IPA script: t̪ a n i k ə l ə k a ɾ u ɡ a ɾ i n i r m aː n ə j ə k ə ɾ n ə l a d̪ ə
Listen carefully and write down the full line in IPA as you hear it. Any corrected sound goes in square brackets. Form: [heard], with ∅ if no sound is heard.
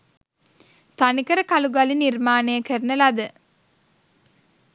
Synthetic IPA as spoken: t̪ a n i k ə [ɾ] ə k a [l] u ɡ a [l] i n i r m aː n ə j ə k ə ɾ n ə l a d̪ ə

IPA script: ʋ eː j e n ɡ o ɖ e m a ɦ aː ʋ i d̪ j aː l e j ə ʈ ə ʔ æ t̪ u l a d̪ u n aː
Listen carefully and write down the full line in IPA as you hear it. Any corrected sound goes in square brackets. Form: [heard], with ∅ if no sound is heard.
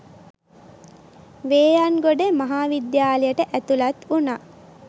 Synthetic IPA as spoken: ʋ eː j [a] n ɡ o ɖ e m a ɦ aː ʋ i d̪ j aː l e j ə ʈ ə ʔ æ t̪ u l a [t̪] u n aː

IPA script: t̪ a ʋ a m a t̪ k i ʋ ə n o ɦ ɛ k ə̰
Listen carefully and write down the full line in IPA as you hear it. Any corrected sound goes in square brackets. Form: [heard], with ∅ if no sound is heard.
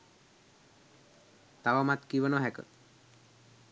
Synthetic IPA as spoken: t̪ a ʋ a m a t̪ k i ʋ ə n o ɦ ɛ k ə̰

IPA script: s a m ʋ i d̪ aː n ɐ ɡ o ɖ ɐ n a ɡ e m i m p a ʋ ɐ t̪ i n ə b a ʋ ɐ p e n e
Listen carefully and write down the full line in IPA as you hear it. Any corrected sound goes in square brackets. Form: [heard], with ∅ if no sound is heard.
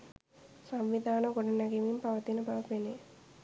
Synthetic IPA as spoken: s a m ʋ i d̪ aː n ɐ ɡ o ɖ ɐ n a ɡ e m i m p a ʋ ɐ t̪ i n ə b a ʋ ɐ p e n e

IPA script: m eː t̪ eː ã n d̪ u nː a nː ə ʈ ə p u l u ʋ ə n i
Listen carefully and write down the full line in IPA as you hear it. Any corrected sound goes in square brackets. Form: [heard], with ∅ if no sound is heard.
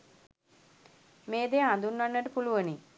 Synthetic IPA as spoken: m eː [d̪] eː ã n d̪ u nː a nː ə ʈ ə p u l u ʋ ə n i

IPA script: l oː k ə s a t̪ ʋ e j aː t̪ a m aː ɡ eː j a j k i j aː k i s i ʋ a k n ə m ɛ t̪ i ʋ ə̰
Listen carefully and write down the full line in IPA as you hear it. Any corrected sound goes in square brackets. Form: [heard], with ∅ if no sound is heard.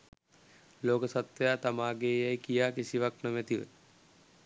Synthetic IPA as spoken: l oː k ə s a t̪ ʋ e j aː t̪ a m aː ɡ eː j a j k i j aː k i s i ʋ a k n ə m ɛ t̪ i ʋ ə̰

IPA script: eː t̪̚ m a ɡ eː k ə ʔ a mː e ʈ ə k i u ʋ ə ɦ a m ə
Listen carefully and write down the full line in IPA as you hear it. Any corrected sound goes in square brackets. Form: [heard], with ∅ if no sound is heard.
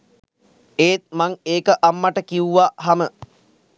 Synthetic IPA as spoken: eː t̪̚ m a [ŋ] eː k ə ʔ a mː [a] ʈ ə k i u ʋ [a] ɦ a m ə

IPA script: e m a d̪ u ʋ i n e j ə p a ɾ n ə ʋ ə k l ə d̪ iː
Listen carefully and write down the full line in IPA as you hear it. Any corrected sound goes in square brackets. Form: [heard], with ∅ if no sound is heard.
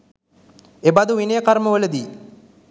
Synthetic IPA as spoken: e [b] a d̪ u ʋ i n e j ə [k] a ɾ [m] ə ʋ ə [∅] l ə d̪ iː

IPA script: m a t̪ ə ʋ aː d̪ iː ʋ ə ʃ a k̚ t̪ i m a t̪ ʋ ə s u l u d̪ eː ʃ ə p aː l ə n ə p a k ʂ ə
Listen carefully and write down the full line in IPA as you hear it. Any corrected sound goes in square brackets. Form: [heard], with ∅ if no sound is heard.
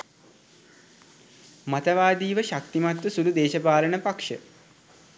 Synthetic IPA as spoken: m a t̪ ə ʋ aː d̪ iː ʋ ə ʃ a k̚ t̪ i m a t̪ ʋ ə s u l u d̪ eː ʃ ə p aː l ə n ə p a k ʂ ə

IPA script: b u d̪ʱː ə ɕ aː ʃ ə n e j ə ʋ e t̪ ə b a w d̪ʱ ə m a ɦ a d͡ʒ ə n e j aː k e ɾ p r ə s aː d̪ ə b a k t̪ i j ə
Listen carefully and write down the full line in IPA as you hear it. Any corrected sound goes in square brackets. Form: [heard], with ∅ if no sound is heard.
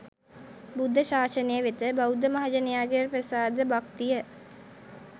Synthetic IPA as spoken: b u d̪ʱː ə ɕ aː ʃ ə n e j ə ʋ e t̪ ə b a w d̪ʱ ə m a ɦ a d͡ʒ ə n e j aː [ɡ] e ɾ p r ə s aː d̪ ə b a k t̪ i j ə

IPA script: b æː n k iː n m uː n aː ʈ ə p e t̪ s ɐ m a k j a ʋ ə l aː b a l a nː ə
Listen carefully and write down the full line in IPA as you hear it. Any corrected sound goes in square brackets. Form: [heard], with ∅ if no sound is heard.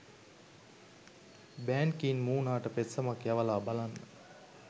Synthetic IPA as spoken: b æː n k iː n m uː n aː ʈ ə p e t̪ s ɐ m a k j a ʋ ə l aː b a l a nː ə

